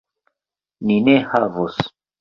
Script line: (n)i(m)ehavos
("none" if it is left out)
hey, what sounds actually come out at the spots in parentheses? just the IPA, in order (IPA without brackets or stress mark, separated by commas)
n, n